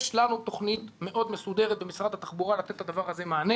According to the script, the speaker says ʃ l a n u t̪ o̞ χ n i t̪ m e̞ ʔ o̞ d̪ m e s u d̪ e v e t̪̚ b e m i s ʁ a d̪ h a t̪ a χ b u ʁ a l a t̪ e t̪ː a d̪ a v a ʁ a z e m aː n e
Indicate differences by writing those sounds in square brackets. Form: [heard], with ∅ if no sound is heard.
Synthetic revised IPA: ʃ l a n u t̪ o̞ χ n i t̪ m e̞ ʔ o̞ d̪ m e s u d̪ e [ʁ] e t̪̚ b e m i s ʁ a d̪ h a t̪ a χ b u ʁ a l a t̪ e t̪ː a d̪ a v a ʁ a z e m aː n e